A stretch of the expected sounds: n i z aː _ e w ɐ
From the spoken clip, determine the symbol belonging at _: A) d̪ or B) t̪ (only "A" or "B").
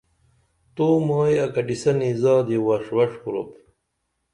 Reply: A